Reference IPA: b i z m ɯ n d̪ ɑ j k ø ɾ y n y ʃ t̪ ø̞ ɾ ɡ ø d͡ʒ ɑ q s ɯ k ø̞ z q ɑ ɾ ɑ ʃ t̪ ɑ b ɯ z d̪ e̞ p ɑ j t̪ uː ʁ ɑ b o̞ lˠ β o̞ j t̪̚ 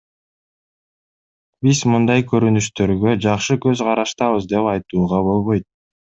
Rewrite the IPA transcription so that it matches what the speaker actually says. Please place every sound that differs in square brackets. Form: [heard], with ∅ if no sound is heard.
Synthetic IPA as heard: b i z m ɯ n d̪ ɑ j k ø ɾ y n y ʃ t̪ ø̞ ɾ ɡ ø d͡ʒ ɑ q [ʃ] ɯ k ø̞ z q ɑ ɾ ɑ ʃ t̪ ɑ [β] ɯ z d̪ e̞ p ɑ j t̪ uː ʁ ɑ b o̞ lˠ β o̞ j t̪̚